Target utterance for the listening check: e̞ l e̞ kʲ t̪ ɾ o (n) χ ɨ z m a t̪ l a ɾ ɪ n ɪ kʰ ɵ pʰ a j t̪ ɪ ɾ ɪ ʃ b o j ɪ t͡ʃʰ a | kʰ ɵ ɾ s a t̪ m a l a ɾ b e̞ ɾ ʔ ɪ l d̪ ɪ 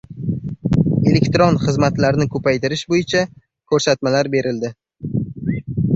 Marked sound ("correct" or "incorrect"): correct